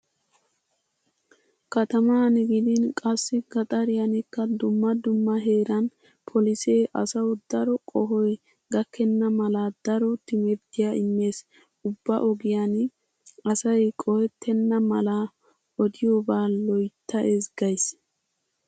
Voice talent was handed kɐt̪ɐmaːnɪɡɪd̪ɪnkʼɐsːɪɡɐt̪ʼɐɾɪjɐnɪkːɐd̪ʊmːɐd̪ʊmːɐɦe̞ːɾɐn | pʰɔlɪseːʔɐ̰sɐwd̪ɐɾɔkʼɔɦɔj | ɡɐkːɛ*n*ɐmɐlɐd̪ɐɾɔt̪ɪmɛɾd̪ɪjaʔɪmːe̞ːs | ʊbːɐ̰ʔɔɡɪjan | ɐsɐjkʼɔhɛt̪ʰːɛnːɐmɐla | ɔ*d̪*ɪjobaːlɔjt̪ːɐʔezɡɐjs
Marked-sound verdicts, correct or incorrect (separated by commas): incorrect, correct